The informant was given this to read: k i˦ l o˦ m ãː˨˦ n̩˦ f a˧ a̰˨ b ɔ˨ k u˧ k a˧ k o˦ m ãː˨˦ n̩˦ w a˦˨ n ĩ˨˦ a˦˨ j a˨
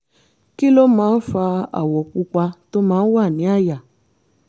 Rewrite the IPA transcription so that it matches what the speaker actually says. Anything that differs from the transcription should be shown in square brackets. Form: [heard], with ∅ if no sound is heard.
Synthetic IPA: k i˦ l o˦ m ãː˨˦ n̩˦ f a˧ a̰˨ [w] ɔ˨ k u˧ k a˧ [t] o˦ m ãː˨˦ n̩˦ w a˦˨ n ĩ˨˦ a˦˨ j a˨